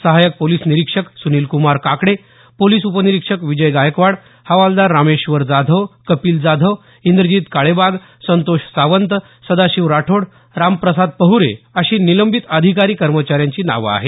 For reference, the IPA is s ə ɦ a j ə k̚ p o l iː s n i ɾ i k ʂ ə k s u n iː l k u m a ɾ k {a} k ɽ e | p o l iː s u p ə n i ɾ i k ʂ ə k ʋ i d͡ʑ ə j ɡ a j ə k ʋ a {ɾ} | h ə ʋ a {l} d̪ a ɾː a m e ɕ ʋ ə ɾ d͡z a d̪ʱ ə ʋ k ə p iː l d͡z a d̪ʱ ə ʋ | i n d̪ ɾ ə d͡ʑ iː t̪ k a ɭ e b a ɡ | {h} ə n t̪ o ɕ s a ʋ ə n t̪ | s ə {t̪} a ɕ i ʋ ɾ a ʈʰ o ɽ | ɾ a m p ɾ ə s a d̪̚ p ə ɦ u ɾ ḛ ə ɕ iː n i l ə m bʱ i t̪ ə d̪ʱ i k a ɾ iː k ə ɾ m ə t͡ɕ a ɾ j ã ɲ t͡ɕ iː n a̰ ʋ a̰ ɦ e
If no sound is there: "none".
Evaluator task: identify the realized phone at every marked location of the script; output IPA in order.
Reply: a, ɽ, l, s, d̪

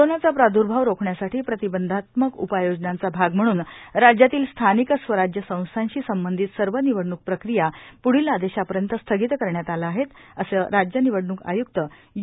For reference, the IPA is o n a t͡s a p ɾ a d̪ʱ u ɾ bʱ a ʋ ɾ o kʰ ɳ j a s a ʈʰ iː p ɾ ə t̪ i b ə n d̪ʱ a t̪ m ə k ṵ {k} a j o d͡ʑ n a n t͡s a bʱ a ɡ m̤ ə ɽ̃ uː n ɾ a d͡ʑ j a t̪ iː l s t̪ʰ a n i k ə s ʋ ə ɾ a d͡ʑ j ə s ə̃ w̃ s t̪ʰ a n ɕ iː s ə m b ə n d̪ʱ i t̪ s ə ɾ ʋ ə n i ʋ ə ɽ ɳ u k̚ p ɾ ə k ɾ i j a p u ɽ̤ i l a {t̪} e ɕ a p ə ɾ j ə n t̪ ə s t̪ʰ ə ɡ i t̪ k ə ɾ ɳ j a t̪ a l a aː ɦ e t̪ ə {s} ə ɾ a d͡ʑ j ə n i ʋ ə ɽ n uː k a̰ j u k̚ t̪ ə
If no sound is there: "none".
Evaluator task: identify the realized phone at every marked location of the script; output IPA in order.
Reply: p, d̪, s

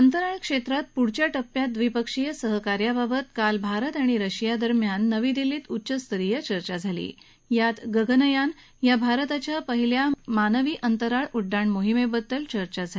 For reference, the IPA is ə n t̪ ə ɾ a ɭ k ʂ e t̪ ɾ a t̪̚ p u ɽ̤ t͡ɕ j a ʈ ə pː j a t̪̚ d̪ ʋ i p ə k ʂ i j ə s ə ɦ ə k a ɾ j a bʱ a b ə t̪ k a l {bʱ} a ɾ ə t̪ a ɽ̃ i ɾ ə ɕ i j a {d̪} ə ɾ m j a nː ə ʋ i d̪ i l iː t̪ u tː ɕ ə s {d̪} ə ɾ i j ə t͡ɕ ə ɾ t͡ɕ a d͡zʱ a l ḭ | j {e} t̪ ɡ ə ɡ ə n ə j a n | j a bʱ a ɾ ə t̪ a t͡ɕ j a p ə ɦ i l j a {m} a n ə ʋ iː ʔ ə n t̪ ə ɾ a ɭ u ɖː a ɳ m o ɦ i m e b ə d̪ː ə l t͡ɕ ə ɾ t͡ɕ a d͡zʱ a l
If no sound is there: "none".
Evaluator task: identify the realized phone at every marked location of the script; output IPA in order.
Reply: bʱ, d̪, t̪, a, m

